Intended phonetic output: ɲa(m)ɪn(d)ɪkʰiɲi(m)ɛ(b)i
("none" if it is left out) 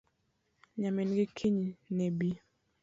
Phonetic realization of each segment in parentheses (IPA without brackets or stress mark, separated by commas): m, ɡ, n, b